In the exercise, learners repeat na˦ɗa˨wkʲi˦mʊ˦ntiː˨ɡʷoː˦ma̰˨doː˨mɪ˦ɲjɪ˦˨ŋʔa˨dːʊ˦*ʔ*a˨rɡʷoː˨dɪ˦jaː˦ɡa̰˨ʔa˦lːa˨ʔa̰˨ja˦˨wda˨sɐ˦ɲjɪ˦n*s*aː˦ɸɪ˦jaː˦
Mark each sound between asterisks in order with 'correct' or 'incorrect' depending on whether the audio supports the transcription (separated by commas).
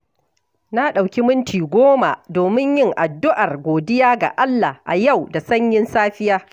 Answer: correct, correct